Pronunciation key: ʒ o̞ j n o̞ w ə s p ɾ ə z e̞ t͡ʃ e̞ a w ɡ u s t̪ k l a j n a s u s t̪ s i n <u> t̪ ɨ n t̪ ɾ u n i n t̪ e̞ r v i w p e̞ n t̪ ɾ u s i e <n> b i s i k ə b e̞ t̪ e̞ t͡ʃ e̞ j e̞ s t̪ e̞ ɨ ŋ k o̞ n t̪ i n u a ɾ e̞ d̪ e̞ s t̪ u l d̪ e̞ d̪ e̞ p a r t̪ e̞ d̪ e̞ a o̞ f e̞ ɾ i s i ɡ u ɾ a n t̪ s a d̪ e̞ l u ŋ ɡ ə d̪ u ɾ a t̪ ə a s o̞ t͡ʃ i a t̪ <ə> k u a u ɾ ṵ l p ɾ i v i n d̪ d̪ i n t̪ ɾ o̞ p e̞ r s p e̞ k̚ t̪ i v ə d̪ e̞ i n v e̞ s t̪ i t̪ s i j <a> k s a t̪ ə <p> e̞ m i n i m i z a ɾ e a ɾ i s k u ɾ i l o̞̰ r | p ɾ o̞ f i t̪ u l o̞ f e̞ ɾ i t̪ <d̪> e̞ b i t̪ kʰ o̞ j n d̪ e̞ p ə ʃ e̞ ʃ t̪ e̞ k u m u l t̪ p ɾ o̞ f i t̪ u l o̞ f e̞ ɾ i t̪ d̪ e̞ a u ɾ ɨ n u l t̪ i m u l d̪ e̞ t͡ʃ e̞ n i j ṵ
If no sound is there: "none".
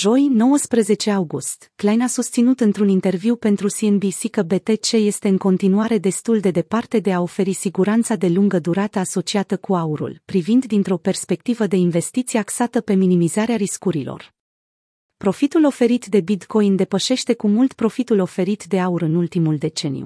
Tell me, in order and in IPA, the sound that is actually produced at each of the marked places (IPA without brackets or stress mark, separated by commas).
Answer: u, n, ə, a, p, d̪